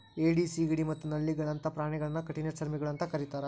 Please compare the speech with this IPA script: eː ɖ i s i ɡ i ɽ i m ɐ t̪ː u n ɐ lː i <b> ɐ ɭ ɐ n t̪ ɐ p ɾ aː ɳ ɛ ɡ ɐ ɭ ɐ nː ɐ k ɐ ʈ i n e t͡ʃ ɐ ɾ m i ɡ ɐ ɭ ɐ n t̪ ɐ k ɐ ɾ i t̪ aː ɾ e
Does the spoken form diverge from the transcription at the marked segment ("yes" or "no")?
yes